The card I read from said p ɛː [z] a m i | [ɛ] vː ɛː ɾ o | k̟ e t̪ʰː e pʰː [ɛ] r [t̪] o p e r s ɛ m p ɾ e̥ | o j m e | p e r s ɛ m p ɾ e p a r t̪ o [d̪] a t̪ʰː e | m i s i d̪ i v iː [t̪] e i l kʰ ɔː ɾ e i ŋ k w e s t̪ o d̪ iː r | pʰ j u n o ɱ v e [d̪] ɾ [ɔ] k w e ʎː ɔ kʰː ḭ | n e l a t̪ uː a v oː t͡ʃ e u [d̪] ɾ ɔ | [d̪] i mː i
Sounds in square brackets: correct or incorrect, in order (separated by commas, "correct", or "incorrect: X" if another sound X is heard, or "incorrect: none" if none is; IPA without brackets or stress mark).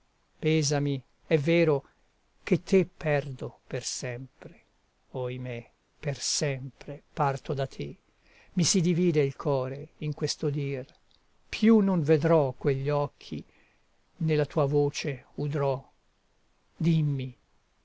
correct, correct, correct, incorrect: d̪, correct, incorrect: d̪, correct, correct, correct, correct